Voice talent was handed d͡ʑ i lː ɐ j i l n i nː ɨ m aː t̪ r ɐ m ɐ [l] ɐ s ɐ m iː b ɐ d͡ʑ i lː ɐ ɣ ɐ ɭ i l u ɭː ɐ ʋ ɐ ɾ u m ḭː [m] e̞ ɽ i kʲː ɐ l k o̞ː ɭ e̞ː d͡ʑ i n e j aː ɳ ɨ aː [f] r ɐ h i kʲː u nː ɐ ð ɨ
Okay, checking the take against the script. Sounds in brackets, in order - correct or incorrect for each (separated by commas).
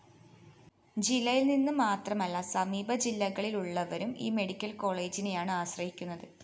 incorrect, correct, incorrect